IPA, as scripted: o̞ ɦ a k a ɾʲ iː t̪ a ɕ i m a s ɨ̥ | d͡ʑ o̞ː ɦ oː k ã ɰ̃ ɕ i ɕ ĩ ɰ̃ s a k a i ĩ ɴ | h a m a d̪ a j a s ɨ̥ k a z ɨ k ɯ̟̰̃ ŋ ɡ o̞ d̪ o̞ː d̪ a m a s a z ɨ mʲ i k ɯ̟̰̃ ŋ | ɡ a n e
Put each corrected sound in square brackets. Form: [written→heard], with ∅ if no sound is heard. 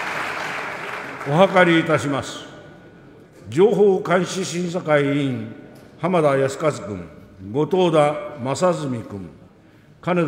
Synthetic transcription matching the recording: o̞ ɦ a k a ɾʲ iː t̪ a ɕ i m a s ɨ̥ | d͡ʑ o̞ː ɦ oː k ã ɰ̃ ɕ i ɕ ĩ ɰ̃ s a k a i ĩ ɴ | h a m a d̪ a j a s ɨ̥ k a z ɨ k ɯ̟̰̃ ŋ ɡ o̞ [d̪→t̪] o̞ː d̪ a m a s a z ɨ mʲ i k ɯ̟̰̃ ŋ | [ɡ→k] a n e